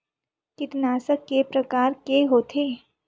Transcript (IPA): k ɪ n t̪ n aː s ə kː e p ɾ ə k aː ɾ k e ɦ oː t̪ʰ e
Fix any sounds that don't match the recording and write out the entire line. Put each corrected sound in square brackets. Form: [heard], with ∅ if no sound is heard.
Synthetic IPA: k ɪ [∅] t̪ n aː s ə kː e p ɾ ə k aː ɾ k e ɦ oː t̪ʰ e